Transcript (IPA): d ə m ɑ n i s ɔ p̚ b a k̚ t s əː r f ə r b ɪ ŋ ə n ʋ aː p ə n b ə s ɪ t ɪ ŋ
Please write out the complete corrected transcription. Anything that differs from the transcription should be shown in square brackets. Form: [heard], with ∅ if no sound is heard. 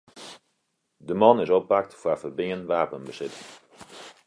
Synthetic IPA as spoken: d ə m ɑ n [ɪ] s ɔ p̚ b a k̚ t [f] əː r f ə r b ɪ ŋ ə n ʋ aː p ə n b ə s ɪ t ɪ ŋ